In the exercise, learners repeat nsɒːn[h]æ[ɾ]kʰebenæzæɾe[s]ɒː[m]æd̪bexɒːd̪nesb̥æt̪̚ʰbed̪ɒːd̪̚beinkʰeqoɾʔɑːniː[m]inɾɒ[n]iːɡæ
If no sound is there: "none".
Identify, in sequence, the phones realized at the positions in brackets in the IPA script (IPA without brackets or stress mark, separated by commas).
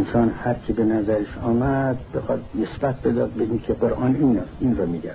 h, ɾ, ʃ, m, n, m